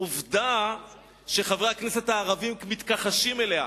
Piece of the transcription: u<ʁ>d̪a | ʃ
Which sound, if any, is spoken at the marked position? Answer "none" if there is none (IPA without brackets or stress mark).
v